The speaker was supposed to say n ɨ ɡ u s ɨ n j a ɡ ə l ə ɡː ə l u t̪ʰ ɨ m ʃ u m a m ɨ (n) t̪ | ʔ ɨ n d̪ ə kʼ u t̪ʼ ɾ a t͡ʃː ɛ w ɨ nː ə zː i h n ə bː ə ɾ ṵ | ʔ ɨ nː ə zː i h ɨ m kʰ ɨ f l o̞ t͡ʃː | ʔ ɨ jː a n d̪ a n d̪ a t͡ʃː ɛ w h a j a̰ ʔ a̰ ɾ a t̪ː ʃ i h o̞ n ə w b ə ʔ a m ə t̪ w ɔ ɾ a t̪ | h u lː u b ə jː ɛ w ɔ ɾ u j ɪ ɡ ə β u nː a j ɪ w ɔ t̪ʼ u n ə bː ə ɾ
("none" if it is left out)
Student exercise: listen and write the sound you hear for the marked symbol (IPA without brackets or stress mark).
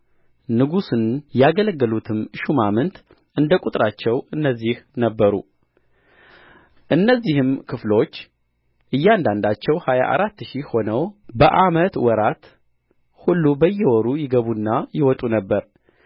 n